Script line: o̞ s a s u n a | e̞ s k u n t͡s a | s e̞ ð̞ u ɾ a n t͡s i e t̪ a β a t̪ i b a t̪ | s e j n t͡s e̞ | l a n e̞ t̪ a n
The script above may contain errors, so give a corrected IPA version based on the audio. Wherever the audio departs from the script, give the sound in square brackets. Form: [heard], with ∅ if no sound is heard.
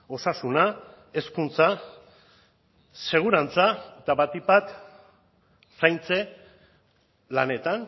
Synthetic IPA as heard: o̞ s a s u n a | e̞ s k u n t͡s a | s e̞ [ɣ̞] u ɾ a n t͡s [a] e t̪ a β a t̪ i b a t̪ | s [a] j n t͡s e̞ | l a n e̞ t̪ a n